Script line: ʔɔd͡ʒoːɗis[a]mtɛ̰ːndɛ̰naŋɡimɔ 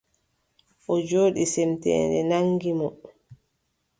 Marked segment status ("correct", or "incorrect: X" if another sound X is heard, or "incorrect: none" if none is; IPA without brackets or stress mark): incorrect: ɛ